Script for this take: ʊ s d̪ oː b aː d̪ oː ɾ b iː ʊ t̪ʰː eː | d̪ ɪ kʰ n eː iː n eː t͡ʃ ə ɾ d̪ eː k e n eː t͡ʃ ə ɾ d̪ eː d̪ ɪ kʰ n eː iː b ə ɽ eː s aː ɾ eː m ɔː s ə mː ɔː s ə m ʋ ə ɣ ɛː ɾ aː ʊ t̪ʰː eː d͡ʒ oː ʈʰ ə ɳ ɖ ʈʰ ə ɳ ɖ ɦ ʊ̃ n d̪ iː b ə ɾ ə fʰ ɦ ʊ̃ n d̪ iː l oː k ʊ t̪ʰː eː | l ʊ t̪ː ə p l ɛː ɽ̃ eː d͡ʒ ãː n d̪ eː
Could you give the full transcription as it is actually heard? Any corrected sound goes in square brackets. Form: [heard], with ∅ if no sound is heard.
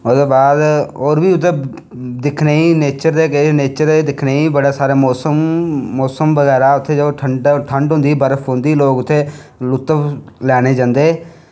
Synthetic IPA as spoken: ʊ s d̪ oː b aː d̪ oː ɾ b iː ʊ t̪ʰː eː | d̪ ɪ kʰ n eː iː n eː t͡ʃ ə ɾ d̪ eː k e n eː t͡ʃ ə ɾ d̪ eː d̪ ɪ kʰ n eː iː b ə ɽ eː s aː ɾ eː m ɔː s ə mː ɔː s ə m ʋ ə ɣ ɛː ɾ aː ʊ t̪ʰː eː d͡ʒ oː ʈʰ ə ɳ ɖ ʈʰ ə ɳ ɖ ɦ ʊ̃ n d̪ iː b ə ɾ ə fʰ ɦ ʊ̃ n d̪ iː l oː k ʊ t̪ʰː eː | l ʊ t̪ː ə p l ɛː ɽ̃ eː d͡ʒ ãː n d̪ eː